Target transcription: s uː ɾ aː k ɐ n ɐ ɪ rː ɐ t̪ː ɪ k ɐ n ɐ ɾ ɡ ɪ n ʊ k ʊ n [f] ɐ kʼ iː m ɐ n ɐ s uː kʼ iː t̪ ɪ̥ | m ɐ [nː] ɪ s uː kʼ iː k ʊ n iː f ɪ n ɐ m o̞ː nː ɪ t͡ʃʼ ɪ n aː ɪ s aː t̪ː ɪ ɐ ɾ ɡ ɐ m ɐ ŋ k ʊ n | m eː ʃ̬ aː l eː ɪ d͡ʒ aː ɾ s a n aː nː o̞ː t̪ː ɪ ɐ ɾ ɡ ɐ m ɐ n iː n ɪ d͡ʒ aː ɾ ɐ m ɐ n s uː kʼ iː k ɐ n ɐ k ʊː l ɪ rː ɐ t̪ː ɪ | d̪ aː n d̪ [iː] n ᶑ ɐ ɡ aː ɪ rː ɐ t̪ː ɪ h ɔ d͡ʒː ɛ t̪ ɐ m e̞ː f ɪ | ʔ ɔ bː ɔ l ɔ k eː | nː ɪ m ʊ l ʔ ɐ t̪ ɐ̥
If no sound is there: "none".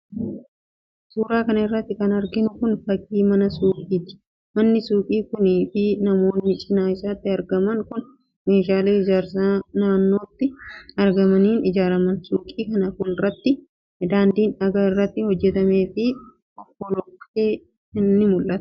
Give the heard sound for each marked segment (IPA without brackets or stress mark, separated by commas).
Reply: f, nː, iː